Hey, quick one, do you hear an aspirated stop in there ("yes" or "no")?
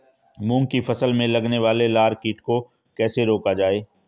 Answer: no